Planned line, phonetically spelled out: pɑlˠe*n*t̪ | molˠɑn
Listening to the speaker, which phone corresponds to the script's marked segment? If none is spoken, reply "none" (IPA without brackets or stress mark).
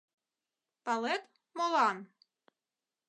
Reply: none